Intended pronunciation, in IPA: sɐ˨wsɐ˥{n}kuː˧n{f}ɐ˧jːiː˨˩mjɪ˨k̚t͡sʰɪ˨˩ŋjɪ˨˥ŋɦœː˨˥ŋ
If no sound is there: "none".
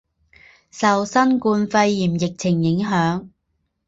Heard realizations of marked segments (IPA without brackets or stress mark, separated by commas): n, f